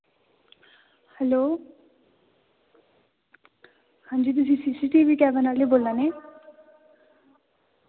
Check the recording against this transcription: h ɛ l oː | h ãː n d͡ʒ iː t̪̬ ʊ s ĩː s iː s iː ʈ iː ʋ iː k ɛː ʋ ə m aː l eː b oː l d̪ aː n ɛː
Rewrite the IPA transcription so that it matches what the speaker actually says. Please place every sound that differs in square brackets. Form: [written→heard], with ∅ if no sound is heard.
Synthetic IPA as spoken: h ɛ l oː | h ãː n d͡ʒ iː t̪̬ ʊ s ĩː s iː s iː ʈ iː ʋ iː k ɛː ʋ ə [m→n] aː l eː b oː l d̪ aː n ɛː